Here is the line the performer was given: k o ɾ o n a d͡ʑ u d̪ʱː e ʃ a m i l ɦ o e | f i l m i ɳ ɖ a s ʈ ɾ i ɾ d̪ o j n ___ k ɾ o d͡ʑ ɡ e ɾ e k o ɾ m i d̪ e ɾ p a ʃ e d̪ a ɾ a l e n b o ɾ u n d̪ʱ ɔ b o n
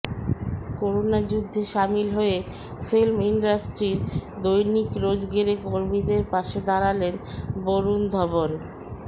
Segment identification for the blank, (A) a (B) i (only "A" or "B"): B